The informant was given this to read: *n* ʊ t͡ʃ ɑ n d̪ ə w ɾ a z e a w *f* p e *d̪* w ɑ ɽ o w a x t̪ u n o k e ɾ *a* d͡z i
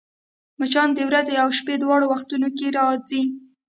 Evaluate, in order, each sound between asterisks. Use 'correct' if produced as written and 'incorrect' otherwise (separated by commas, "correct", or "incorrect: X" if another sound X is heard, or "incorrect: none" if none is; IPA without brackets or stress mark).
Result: incorrect: m, incorrect: ʃ, correct, incorrect: ɑ